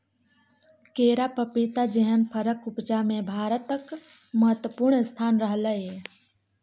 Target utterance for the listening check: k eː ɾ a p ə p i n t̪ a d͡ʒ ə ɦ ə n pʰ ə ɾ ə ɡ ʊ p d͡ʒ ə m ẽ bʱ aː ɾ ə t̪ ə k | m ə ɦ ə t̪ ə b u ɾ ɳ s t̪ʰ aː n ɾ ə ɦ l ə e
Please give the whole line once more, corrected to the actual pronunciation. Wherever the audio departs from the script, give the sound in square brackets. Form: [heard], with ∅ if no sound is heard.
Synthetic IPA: k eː ɾ a p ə p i [∅] t̪ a d͡ʒ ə ɦ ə n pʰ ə ɾ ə [k] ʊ p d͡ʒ [a] m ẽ bʱ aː ɾ ə t̪ ə k | m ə ɦ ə t̪ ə [p] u ɾ ɳ s t̪ʰ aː n ɾ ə ɦ l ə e